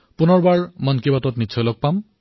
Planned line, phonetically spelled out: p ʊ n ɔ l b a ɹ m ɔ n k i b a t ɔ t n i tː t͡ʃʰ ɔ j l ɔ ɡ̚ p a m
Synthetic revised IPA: p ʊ n ɔ ɹ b a ɹ m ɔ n k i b a t ɔ t n i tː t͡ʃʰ ɔ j l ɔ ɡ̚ p a m